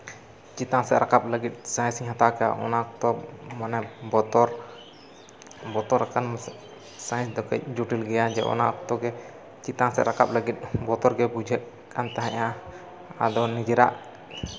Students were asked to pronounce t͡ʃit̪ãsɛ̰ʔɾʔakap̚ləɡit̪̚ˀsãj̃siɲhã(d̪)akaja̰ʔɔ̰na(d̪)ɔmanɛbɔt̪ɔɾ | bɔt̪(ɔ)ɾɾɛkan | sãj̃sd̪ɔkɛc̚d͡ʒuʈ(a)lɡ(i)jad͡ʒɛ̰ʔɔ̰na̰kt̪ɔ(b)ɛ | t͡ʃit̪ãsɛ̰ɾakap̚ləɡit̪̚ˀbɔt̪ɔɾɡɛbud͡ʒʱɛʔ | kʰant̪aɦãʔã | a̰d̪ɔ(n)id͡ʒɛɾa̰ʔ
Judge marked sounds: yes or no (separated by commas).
no, no, yes, no, no, no, yes